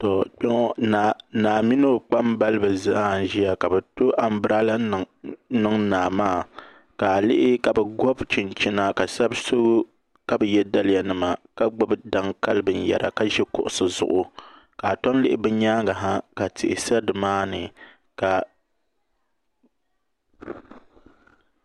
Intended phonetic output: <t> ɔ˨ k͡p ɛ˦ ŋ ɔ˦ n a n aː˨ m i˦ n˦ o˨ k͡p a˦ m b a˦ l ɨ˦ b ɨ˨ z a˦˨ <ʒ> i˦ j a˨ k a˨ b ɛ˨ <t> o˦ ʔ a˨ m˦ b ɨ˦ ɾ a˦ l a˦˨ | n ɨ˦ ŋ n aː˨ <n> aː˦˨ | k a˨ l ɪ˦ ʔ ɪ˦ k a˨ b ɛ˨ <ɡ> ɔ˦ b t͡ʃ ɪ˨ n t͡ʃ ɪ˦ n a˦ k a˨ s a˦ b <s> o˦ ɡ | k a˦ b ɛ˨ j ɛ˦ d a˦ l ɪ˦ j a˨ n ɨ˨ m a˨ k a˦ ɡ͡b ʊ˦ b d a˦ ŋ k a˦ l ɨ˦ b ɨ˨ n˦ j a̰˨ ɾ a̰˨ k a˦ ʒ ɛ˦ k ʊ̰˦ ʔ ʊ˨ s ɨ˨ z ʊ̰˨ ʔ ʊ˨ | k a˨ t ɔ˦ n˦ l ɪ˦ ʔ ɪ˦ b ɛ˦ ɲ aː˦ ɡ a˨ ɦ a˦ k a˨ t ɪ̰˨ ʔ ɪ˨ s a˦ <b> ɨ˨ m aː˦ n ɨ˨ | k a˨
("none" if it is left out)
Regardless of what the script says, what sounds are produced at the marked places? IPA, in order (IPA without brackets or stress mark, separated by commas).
t, ʒ, t, m, ɡ, s, d